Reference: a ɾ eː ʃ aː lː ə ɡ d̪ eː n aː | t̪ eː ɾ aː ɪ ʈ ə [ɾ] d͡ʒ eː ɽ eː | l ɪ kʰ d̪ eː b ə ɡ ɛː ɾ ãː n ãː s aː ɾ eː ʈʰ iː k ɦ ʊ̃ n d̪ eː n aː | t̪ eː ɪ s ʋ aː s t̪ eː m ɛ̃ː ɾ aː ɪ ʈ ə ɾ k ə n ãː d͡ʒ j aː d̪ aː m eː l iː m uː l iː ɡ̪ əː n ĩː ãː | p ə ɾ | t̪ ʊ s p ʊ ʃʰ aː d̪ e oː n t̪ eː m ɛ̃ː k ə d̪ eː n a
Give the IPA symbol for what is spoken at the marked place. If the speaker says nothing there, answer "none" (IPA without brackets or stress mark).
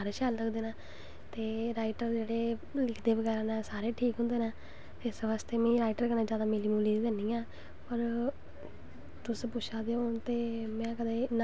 ɾ